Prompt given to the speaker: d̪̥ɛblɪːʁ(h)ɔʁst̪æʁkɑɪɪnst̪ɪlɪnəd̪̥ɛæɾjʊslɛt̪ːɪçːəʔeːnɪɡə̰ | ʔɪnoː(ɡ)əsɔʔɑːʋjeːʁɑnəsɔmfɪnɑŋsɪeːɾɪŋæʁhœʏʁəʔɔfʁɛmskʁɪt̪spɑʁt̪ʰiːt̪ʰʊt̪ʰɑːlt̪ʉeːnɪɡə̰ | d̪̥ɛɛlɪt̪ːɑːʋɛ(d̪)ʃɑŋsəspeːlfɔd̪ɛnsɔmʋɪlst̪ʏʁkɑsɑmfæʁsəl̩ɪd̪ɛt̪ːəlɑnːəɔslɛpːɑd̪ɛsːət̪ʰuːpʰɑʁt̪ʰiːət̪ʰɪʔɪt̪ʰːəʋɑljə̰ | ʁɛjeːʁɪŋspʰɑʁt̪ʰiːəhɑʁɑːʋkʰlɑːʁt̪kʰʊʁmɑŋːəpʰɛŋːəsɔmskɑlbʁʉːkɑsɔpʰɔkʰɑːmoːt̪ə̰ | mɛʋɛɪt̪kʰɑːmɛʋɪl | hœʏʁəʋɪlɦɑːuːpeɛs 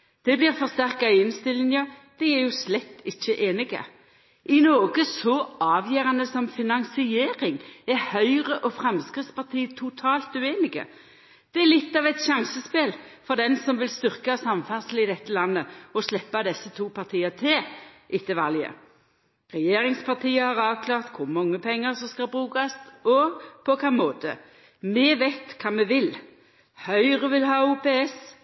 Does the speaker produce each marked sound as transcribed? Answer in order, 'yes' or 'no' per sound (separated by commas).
no, yes, no